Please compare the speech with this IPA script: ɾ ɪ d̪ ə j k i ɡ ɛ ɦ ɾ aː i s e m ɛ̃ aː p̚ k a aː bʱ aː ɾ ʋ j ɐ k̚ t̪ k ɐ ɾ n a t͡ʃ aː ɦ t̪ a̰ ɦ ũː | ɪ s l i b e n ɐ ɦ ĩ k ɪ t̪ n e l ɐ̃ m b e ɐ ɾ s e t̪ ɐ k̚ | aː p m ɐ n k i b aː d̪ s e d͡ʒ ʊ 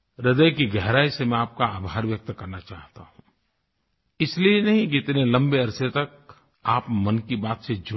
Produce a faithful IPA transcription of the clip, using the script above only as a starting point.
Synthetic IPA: ɾ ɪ d̪ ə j k i ɡ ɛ ɦ ɾ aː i s e m ɛ̃ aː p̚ k a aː bʱ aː ɾ ʋ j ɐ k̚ t̪ k ɐ ɾ n a t͡ʃ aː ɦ t̪ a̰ ɦ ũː | ɪ s l i e n ɐ ɦ ĩ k ɪ t̪ n e l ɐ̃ m b e ɐ ɾ s e t̪ ɐ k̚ | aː p m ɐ n k i b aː t̪ s e d͡ʒ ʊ